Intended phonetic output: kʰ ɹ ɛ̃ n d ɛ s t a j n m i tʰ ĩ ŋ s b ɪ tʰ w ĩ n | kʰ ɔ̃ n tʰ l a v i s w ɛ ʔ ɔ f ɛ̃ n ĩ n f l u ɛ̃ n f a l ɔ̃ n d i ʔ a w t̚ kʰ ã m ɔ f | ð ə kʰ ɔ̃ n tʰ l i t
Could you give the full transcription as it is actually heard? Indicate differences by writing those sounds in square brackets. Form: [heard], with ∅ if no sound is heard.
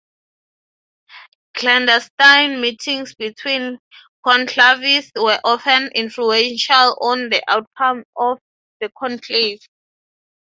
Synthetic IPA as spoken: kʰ [l] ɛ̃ n d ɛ s t a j n m i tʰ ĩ ŋ s b [i] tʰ w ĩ n | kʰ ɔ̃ n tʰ l a v i s w ɛ ʔ ɔ f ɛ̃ n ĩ n f l u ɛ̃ n [ʃ] a l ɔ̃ n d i ʔ a w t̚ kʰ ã m ɔ f | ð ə kʰ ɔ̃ n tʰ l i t